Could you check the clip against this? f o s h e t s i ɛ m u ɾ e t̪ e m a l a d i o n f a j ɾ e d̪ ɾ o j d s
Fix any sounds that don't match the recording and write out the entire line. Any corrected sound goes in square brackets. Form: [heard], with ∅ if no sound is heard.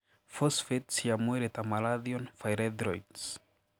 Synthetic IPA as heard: f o s [f] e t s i [a] m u ɾ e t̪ [a] m a l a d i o n f a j ɾ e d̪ ɾ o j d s

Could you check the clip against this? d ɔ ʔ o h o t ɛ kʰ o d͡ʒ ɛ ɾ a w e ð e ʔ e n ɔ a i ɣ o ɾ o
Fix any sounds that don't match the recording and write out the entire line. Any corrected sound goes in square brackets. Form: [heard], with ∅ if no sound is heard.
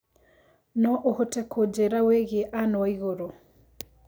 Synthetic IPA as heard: [n] ɔ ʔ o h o t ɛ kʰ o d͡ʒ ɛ ɾ a w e [ɣ] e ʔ [a] n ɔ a i ɣ o ɾ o

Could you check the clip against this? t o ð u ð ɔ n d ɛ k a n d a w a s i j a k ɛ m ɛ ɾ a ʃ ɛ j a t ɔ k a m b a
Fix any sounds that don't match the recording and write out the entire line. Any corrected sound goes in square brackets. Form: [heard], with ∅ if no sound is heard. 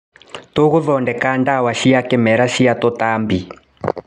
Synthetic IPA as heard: t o [ɣ] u ð ɔ n d ɛ k a n d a w a [ʃ] i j a k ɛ m ɛ ɾ a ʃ [i] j a t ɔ [t] a m b [i]

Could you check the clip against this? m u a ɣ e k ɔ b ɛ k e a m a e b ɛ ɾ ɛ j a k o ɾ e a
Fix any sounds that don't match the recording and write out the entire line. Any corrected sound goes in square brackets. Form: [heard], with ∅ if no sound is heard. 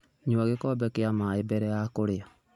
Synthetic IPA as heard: [ɲ] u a ɣ e k ɔ b ɛ k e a m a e b ɛ ɾ ɛ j a k o ɾ e a

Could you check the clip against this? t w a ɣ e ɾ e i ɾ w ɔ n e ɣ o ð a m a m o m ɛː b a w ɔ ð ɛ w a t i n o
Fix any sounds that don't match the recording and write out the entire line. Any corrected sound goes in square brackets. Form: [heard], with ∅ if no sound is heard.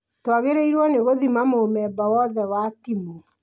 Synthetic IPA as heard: t w a ɣ e ɾ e i ɾ w ɔ n e ɣ o ð [i] m a m o m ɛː b a w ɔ ð ɛ w a t i [m] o

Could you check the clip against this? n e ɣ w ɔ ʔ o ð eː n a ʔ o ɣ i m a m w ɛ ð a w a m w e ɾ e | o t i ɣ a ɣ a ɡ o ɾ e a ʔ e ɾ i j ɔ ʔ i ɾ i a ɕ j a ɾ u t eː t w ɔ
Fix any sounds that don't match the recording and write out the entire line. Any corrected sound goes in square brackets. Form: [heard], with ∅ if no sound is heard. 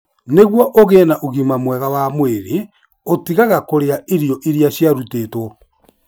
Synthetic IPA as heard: n e ɣ w ɔ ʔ o [ɣ] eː n a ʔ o ɣ i m a m w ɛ [ɣ] a w a m w e ɾ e | o t i ɣ a ɣ a [k] o ɾ e a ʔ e ɾ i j ɔ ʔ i ɾ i a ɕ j a ɾ u t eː t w ɔ

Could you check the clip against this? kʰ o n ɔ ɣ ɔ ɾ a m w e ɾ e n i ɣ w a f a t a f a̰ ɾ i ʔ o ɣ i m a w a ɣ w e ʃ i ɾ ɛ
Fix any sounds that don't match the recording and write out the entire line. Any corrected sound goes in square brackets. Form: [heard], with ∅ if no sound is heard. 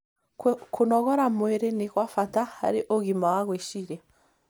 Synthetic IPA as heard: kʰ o n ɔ ɣ ɔ ɾ a m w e ɾ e n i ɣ w a f a t a [h] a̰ ɾ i ʔ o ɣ i m a w a ɣ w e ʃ i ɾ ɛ

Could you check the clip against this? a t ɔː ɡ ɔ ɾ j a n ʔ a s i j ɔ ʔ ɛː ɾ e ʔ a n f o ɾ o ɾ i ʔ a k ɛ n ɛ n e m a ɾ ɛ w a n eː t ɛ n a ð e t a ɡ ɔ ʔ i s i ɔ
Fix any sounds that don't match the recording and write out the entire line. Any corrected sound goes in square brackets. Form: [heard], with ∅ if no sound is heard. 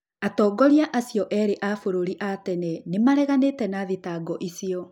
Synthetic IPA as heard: a t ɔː ɡ ɔ ɾ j a [∅] ʔ a s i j ɔ ʔ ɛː ɾ e ʔ a [∅] f o ɾ o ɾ i ʔ a [t] ɛ n ɛ n e m a ɾ ɛ [ɣ] a n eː t ɛ n a ð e t a ɡ ɔ ʔ i s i ɔ

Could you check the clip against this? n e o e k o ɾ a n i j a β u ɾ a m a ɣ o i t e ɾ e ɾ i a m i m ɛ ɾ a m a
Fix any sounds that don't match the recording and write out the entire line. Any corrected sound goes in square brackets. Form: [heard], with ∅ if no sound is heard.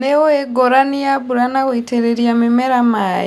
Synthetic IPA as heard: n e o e [ɡ] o ɾ a n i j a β u ɾ a [n] a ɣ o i t e ɾ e ɾ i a m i m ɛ ɾ a m a

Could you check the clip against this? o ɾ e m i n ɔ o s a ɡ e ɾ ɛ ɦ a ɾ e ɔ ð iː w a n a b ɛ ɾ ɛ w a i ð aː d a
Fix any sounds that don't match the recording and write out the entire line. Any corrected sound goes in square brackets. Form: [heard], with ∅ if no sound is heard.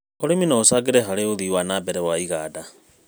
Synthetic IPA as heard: o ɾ e m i n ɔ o s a ɡ e ɾ ɛ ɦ a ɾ e [o] ð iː w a n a b ɛ ɾ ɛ w a i [ɣ] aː d a

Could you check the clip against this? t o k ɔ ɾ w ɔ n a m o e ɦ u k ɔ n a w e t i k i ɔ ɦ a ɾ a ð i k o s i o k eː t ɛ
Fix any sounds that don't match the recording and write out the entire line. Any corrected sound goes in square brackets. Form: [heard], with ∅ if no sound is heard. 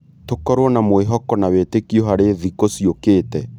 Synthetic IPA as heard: t o k ɔ ɾ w ɔ n a m o e ɦ [ɔ] k ɔ n a w e t [e] k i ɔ ɦ a ɾ [e] ð i k o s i o k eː t ɛ

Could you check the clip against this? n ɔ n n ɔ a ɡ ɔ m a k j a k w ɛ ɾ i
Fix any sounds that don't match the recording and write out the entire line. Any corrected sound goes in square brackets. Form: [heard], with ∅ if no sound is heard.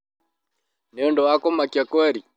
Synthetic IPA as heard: n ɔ n [d] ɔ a [k] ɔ m a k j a k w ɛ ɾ i

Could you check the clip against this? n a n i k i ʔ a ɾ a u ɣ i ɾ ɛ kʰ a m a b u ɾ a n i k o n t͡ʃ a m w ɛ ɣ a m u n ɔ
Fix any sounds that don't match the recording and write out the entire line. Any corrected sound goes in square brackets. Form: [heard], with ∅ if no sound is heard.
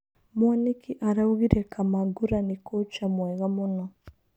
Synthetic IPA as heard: [m] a n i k i ʔ a ɾ a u ɣ i ɾ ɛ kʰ a m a [ɡ] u ɾ a n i k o [∅] t͡ʃ a m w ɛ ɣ a m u n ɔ

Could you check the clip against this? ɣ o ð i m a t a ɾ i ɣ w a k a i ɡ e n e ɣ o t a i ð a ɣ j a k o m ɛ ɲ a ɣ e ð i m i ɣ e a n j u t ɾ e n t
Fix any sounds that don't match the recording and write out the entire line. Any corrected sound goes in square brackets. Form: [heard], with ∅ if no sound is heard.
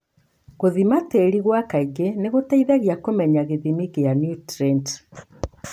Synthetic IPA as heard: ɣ o ð i m a t [e] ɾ i ɣ w a k a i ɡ e n e ɣ o t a i ð a ɣ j a k o m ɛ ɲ a ɣ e ð i m i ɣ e a n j u t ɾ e n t

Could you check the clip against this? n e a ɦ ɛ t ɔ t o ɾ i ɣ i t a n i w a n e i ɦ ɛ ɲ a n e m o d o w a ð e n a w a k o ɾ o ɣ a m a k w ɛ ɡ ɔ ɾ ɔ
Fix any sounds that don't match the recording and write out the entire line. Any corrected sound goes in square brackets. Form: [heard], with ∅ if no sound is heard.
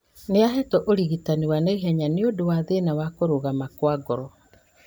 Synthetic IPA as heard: n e a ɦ ɛ t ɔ [ʔ] o ɾ i ɣ i t a n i w a n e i ɦ ɛ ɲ a n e [∅] o d o w a ð e n a w a k o ɾ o ɣ a m a k w [a] ɡ ɔ ɾ ɔ

